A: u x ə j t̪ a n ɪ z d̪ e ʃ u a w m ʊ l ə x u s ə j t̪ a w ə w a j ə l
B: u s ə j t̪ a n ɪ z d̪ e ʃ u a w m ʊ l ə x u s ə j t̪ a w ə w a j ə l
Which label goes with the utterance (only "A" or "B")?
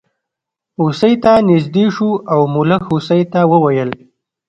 B